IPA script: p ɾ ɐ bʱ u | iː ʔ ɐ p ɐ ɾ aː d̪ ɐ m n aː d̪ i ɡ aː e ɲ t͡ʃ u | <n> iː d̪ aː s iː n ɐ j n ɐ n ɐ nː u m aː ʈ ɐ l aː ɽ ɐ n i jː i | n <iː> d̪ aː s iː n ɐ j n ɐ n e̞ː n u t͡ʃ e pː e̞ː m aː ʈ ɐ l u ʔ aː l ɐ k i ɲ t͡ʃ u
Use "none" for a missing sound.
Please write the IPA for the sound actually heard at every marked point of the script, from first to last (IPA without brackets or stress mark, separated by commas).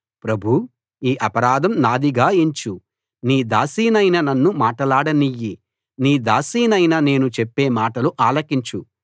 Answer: n, iː